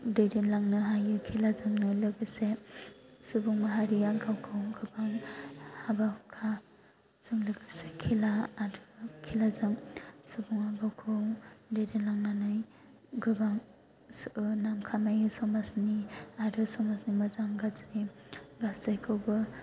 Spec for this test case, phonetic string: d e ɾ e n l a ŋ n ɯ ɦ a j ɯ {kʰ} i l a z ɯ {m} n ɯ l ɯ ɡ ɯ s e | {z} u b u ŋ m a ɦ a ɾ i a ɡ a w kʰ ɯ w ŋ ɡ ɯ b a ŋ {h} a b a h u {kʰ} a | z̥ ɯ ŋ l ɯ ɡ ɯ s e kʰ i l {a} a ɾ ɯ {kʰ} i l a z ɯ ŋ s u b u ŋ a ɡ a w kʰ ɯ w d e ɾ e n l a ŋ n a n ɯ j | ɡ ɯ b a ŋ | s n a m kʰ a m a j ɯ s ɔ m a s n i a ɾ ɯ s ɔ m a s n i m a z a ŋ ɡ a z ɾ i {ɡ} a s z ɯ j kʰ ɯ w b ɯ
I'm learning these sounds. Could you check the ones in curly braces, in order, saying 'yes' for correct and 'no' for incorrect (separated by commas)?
yes, no, no, yes, yes, yes, yes, yes